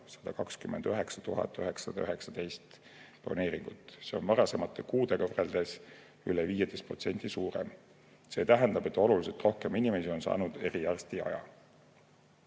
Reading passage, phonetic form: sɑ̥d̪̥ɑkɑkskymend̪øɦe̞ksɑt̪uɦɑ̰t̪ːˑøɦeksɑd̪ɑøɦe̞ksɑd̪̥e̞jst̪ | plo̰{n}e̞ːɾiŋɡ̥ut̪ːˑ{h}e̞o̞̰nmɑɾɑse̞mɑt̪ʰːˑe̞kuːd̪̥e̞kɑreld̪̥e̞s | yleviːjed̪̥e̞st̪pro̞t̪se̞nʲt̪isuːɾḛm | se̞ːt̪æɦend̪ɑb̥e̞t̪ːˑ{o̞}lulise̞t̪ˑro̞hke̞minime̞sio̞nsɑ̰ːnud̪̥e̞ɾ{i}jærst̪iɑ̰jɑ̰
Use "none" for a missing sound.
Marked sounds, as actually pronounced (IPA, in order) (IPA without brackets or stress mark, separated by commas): n, s, o̞, i